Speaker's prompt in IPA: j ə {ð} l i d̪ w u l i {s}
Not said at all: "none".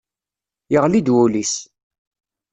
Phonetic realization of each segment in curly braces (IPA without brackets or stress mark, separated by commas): ʁ, s